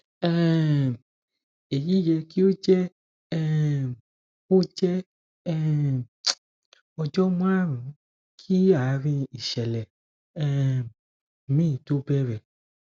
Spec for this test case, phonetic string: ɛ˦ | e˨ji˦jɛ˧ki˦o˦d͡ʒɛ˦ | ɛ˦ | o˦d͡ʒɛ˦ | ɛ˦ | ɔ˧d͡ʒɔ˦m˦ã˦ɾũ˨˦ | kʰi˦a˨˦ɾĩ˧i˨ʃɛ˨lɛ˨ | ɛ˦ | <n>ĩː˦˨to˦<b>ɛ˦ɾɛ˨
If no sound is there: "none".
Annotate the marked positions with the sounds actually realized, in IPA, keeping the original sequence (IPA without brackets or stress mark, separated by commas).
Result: m, b